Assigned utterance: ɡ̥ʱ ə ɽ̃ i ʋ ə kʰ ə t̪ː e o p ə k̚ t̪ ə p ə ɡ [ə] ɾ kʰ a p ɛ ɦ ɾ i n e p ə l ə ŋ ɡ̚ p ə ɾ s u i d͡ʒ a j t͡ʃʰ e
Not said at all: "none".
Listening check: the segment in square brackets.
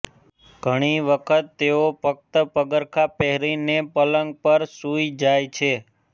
ə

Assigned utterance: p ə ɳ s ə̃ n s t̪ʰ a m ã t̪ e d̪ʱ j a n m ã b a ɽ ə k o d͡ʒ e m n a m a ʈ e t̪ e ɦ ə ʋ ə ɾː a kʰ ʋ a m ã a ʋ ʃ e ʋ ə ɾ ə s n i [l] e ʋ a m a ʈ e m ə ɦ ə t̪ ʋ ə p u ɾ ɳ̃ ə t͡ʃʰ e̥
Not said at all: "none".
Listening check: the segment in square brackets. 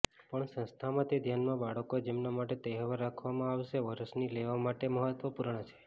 l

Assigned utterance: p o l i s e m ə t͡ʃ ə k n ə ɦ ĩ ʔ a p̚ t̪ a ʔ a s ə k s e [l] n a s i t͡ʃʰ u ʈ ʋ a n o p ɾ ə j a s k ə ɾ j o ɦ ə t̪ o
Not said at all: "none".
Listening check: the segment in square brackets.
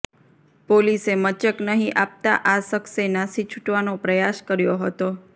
none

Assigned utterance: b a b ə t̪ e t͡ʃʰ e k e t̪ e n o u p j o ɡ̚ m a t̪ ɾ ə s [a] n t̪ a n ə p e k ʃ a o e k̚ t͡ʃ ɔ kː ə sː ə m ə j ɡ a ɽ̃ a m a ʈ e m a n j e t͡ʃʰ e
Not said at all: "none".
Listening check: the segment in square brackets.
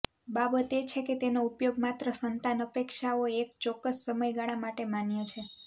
ə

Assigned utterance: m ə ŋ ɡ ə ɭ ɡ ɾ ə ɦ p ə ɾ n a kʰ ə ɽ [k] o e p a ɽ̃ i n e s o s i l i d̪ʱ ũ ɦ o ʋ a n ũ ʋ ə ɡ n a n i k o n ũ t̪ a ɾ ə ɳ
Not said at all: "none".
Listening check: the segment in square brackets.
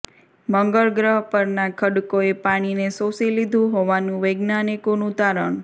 k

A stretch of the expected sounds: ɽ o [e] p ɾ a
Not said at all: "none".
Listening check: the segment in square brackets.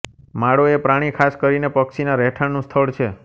e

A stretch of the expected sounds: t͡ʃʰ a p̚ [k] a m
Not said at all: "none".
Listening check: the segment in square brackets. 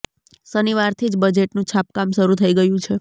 k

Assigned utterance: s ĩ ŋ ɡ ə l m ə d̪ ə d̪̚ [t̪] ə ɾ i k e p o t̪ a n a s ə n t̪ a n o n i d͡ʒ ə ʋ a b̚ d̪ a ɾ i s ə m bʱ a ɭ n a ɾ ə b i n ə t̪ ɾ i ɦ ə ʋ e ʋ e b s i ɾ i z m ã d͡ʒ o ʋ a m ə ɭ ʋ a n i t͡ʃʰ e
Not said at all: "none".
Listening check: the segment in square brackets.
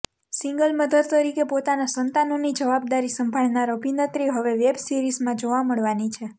t̪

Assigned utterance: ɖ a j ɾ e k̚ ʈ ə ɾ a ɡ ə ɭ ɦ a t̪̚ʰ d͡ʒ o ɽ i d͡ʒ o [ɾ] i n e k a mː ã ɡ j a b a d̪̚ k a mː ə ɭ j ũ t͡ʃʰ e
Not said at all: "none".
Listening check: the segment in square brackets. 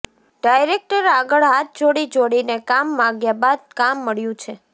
ɽ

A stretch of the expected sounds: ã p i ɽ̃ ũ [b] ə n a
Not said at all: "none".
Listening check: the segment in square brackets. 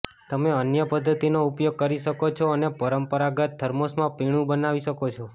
b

